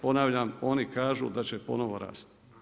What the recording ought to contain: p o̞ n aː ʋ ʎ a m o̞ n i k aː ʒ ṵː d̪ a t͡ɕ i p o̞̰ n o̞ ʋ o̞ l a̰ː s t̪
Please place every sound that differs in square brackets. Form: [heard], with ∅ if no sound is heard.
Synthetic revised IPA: p o̞ n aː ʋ ʎ a m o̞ n i k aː ʒ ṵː d̪ a t͡ɕ [e] p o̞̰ n o̞ ʋ o̞ [ɾ] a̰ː s t̪